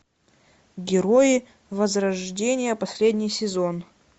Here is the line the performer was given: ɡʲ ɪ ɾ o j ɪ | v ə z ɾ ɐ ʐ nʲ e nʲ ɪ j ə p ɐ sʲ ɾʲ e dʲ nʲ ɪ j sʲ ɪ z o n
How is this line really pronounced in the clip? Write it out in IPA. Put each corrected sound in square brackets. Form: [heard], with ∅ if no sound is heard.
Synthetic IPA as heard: ɡʲ ɪ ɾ o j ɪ | v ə z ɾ ɐ ʐ [dʲ] e nʲ ɪ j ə p ɐ sʲ [lʲ] e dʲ nʲ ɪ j sʲ ɪ z o n